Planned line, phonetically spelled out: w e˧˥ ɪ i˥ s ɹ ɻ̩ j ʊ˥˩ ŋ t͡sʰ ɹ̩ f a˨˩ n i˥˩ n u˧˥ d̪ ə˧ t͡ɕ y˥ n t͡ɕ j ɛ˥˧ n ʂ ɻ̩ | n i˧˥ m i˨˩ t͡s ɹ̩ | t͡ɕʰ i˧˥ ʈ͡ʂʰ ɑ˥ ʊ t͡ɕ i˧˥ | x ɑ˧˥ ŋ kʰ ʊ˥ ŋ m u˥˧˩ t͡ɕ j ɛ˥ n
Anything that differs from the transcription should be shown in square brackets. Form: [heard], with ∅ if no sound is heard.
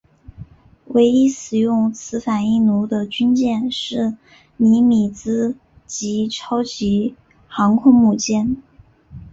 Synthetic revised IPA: w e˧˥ ɪ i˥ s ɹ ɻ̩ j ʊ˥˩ ŋ t͡sʰ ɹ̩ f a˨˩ n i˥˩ n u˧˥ d̪ ə˧ t͡ɕ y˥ n t͡ɕ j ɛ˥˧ n ʂ ɻ̩ | n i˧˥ m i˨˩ t͡s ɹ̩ | [t͡ɕ] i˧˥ ʈ͡ʂʰ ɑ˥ ʊ t͡ɕ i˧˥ | x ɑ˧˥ ŋ kʰ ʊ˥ ŋ m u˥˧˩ t͡ɕ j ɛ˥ n